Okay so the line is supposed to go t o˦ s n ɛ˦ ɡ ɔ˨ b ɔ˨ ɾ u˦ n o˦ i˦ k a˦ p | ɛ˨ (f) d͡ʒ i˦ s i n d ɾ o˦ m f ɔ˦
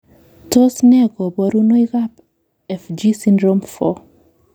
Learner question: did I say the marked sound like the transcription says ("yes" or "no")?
yes